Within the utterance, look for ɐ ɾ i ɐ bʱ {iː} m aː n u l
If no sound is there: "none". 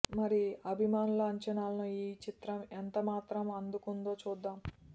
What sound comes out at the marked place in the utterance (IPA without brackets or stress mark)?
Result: i